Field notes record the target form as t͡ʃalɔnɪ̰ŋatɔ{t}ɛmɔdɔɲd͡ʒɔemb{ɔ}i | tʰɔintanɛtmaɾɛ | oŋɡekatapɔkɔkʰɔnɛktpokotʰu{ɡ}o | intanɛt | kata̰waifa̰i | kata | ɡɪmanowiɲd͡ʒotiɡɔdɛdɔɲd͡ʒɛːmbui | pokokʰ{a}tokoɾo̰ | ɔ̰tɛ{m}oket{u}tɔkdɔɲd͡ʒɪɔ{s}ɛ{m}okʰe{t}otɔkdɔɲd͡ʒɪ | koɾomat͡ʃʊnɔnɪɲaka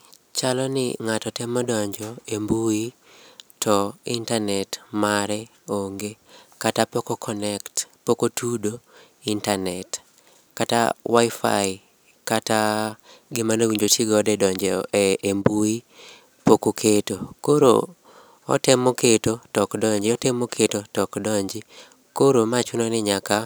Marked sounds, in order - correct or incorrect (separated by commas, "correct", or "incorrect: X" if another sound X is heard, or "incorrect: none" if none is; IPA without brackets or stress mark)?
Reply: correct, incorrect: u, incorrect: d, incorrect: e, correct, incorrect: o, incorrect: t, correct, correct